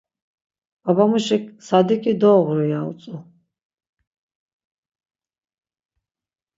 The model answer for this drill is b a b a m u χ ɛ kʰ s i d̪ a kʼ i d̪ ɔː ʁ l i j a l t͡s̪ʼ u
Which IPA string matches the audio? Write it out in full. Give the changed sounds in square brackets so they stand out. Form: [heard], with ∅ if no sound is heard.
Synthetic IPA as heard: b a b a m u [ʃ] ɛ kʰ s [a] d̪ [i] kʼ i d̪ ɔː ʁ [ɾ] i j a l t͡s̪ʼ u